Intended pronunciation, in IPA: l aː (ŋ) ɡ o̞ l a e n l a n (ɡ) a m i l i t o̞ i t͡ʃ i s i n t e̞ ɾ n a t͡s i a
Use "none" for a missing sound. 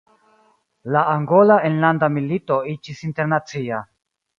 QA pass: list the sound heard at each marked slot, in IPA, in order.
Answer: ŋ, d

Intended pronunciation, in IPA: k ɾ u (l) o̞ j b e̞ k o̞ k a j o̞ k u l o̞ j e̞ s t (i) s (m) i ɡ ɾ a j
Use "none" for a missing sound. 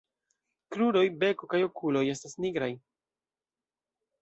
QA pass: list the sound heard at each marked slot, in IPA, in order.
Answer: ɾ, a, n

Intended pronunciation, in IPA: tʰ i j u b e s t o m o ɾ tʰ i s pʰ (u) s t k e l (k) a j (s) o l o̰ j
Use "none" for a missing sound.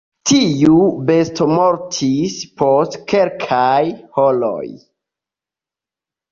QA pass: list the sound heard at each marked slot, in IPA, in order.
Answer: o, kʰ, h

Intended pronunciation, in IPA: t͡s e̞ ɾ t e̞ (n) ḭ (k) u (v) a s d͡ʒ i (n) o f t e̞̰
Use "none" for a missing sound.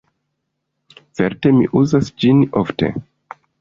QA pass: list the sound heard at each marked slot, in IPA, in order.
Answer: m, ʔ, z, n

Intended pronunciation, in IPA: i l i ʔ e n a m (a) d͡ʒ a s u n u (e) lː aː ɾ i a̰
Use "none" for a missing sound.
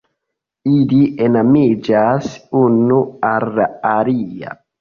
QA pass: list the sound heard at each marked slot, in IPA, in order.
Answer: i, a

